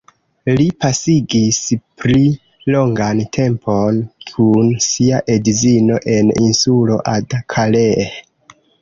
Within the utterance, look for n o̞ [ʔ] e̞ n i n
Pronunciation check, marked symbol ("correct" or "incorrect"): correct